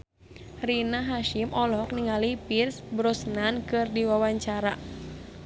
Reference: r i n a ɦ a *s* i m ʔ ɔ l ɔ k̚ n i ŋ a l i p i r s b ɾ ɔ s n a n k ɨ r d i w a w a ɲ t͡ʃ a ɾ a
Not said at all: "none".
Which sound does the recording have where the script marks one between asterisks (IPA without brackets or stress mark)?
ʃ